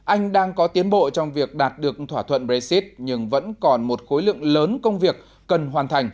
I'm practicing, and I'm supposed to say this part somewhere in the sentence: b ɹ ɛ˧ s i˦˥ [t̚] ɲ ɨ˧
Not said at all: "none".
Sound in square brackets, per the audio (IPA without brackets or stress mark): t̚